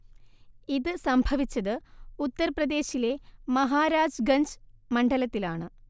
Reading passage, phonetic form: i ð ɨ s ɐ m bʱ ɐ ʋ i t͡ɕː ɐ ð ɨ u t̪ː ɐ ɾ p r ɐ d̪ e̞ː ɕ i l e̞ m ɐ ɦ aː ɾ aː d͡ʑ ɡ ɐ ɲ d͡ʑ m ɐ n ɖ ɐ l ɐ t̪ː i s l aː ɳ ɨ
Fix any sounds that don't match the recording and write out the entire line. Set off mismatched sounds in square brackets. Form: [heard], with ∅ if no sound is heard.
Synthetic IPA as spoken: i ð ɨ s ɐ m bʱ ɐ ʋ i t͡ɕː ɐ ð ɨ u t̪ː ɐ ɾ p r ɐ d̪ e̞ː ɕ i l e̞ m ɐ ɦ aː ɾ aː d͡ʑ ɡ ɐ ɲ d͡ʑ m ɐ [ɳ] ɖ ɐ l ɐ t̪ː i [∅] l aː ɳ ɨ